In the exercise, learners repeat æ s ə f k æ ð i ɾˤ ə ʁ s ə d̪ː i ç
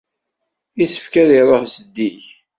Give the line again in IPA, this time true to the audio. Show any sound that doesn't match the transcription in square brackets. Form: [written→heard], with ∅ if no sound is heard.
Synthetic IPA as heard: [æ→i] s ə f k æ ð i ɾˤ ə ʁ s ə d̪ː i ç